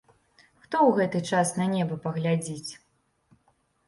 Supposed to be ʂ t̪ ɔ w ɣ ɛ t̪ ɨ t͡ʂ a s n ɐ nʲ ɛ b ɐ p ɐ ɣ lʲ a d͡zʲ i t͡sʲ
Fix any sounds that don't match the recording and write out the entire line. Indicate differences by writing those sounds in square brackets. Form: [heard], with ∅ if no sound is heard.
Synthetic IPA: [x] t̪ ɔ w ɣ ɛ t̪ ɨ t͡ʂ a s n ɐ nʲ ɛ b ɐ p ɐ ɣ lʲ a d͡zʲ i t͡sʲ